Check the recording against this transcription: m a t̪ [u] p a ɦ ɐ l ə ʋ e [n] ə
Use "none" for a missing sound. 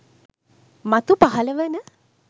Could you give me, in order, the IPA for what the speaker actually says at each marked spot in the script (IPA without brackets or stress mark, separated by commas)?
u, n